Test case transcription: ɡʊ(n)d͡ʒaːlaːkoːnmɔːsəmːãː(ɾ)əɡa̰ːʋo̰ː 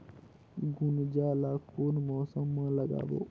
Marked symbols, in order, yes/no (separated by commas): yes, no